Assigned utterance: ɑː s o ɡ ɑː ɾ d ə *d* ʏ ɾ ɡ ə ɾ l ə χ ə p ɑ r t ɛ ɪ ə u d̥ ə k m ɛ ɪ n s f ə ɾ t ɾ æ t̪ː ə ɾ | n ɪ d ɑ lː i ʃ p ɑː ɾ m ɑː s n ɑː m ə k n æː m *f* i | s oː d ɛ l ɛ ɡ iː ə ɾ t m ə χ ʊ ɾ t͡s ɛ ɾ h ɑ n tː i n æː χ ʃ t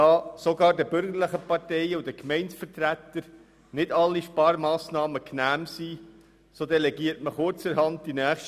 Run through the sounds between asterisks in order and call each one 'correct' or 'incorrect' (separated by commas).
incorrect, incorrect